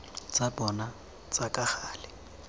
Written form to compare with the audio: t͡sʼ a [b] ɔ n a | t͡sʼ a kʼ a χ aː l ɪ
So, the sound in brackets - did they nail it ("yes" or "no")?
yes